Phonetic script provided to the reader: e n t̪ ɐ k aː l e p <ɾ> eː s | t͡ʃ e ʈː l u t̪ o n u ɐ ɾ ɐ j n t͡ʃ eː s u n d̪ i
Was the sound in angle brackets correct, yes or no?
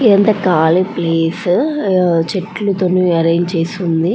no